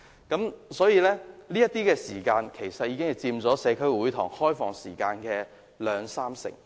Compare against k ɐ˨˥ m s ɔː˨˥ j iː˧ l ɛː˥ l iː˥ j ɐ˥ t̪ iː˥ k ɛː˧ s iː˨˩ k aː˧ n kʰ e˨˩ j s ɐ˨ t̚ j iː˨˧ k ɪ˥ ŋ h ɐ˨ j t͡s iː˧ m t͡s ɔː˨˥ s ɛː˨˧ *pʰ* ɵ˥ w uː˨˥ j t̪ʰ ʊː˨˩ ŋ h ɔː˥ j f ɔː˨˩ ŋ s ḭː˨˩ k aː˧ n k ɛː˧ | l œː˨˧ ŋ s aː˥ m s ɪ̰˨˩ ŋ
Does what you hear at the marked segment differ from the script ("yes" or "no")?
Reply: yes